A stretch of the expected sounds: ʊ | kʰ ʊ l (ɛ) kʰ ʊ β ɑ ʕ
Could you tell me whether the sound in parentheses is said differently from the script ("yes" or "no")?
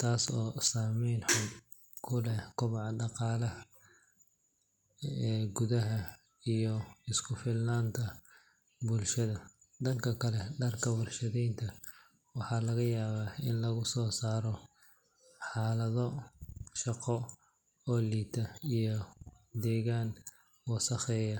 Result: no